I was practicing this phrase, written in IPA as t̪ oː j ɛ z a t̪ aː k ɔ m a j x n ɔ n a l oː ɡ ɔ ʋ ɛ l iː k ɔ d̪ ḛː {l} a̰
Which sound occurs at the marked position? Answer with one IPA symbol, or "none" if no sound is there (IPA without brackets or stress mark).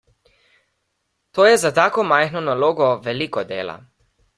l